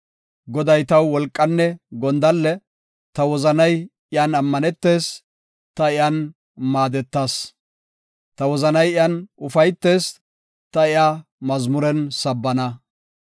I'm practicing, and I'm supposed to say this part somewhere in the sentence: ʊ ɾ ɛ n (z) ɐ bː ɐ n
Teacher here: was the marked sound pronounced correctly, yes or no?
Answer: no